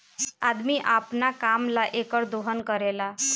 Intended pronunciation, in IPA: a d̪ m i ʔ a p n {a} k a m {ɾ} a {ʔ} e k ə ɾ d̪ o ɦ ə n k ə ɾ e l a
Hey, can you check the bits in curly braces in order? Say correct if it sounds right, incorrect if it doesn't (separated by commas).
correct, incorrect, correct